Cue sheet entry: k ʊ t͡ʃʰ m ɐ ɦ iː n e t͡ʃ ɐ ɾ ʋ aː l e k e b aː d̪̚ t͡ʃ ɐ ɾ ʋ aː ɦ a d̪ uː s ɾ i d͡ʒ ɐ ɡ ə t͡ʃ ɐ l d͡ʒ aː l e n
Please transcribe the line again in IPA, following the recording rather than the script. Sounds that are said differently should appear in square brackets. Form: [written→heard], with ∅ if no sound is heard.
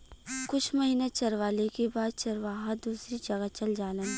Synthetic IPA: k ʊ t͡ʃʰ m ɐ ɦ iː n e t͡ʃ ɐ ɾ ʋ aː l e k e b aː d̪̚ t͡ʃ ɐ ɾ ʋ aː ɦ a d̪ uː s ɾ i d͡ʒ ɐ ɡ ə t͡ʃ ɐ l d͡ʒ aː l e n